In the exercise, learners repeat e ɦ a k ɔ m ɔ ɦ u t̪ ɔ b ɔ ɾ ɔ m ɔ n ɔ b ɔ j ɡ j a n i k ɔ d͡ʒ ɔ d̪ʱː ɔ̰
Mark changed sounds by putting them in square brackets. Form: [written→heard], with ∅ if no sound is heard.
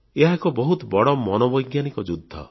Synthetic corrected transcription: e ɦ a k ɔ [m→b] ɔ ɦ u t̪ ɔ b ɔ [ɾ→ɽ] ɔ m ɔ n ɔ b ɔ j ɡ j a n i k ɔ d͡ʒ [ɔ→u] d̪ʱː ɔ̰